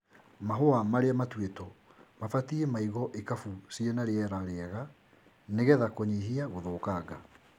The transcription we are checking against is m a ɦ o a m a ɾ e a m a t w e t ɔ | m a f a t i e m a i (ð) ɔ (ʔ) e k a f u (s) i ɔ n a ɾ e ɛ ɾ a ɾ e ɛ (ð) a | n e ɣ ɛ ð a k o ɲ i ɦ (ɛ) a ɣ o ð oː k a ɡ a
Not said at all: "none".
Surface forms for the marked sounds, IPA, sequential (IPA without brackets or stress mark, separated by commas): ɣ, ʔ, s, ɣ, i